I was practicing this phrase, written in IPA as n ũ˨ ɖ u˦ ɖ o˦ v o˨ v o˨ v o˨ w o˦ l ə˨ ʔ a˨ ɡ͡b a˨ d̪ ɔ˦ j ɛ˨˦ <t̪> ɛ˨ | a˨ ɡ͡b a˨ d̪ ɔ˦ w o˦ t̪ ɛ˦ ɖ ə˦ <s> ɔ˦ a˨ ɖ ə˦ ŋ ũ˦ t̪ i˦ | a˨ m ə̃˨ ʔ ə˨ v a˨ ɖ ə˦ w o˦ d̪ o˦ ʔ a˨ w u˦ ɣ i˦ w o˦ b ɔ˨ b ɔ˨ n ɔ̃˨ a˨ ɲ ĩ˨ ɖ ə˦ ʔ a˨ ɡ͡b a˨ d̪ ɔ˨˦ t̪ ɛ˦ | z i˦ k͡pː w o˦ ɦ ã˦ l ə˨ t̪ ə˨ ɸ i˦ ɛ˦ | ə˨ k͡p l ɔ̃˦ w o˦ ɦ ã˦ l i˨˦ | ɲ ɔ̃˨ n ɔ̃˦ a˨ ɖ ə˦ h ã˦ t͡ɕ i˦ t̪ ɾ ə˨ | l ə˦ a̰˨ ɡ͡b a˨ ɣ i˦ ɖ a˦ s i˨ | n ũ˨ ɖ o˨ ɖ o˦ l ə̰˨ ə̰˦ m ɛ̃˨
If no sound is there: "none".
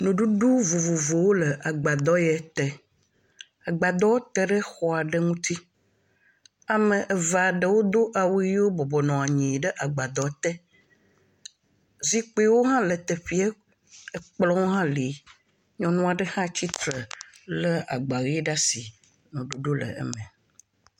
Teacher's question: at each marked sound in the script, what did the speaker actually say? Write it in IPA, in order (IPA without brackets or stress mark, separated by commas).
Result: t̪, x